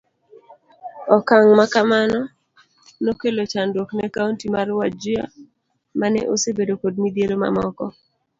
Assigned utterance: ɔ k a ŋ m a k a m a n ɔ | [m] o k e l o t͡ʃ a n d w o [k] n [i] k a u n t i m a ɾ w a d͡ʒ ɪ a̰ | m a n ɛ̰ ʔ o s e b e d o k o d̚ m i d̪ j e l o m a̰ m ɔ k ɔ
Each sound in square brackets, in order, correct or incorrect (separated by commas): incorrect, correct, incorrect